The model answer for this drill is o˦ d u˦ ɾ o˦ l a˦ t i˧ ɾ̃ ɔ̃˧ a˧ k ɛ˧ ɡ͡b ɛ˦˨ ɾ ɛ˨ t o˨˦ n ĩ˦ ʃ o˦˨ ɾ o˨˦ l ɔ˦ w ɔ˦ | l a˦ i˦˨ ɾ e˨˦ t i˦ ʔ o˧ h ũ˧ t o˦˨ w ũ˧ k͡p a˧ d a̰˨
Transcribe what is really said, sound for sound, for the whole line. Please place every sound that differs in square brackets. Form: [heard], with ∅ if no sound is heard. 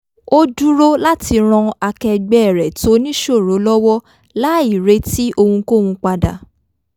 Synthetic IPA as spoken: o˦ d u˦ ɾ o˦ l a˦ t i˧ ɾ̃ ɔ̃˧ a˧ k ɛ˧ ɡ͡b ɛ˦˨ ɾ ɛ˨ t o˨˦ n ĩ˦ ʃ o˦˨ ɾ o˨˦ l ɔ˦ w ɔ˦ | l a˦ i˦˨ ɾ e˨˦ t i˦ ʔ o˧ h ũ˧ [k] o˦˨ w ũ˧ k͡p a˧ d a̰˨